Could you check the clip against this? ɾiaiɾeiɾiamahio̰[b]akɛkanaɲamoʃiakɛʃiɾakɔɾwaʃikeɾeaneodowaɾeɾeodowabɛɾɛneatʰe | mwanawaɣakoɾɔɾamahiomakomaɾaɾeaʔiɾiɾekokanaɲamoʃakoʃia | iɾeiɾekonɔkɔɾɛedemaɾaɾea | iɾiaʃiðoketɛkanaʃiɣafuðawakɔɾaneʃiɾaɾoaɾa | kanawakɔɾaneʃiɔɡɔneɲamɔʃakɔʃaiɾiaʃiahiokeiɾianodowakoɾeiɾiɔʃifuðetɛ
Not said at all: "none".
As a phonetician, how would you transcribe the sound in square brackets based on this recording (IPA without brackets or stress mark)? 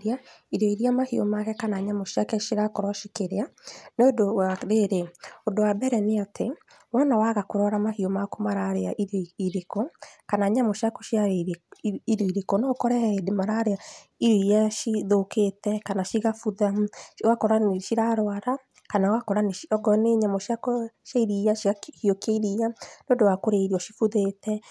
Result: m